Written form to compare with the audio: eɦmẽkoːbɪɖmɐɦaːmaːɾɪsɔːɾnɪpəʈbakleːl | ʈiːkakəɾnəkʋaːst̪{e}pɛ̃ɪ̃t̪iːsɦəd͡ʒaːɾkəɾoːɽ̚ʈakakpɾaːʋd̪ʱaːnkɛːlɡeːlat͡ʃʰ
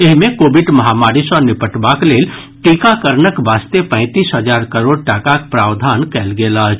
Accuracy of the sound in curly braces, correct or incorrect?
correct